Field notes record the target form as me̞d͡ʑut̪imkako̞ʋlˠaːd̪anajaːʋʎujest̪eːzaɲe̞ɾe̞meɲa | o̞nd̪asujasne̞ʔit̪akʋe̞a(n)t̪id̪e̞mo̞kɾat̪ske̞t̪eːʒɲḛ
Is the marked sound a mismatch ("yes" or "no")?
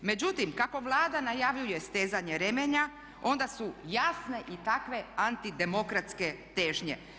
no